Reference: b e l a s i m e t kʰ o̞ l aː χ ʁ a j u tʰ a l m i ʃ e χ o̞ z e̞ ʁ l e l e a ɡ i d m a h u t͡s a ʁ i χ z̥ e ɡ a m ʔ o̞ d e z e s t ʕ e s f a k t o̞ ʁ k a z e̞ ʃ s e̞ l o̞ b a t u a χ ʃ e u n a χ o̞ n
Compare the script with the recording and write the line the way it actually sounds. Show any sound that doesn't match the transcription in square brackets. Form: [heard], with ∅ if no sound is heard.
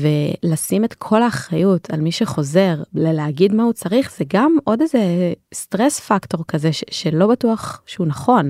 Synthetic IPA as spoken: [v] e l a s i m e t kʰ o̞ l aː χ ʁ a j u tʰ a l m i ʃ e χ o̞ z e̞ ʁ l e l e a ɡ i d m a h u t͡s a ʁ i χ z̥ e ɡ a m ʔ o̞ d e z e s t [ʁ] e s f a k t o̞ ʁ k a z e̞ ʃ [ʃ] e̞ l o̞ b a t u a χ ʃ e u n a χ o̞ n